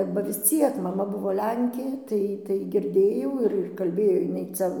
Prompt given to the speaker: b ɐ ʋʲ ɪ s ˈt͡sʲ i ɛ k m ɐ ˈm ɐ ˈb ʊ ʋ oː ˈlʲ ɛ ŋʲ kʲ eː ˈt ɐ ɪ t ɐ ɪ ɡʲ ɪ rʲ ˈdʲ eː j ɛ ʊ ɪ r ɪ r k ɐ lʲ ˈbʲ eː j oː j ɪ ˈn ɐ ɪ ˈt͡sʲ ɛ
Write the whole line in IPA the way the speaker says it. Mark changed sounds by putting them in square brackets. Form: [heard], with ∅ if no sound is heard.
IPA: b ɐ ʋʲ ɪ s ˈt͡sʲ i ɛ k m ɐ ˈm ɐ ˈb ʊ ʋ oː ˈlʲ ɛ ŋʲ kʲ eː ˈt ɐ ɪ t ɐ ɪ ɡʲ ɪ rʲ ˈdʲ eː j ɛ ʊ ɪ r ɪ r k ɐ lʲ ˈbʲ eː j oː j ɪ ˈn ɐ ɪ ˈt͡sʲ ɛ